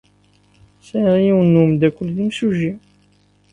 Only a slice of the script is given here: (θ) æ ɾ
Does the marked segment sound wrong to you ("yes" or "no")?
yes